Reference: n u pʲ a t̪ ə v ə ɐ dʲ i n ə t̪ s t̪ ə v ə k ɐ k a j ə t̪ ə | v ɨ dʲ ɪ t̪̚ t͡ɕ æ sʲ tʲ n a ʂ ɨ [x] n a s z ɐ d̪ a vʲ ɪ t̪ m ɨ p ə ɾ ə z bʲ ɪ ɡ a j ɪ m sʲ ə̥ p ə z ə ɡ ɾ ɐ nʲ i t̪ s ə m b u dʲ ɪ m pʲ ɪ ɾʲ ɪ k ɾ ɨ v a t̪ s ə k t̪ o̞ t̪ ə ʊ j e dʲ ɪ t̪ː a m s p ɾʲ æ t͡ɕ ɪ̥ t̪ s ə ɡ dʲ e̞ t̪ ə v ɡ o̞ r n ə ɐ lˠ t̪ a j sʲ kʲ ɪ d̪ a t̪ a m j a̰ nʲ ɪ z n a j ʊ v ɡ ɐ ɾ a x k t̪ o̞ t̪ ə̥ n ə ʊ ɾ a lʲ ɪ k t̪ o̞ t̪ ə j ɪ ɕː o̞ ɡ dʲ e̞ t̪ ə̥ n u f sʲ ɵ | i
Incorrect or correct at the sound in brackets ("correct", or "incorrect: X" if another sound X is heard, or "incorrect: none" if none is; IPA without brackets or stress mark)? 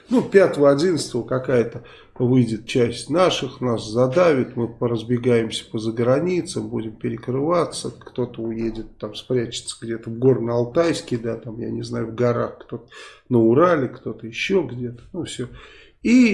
correct